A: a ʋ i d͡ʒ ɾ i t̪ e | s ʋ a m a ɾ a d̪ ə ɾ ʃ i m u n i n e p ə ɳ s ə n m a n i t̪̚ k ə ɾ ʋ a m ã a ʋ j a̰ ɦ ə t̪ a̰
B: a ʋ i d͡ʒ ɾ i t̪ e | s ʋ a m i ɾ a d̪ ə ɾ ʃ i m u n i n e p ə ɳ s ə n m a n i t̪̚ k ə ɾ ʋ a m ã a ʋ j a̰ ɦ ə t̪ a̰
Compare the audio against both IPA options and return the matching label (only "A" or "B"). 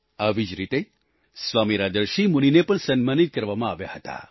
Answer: B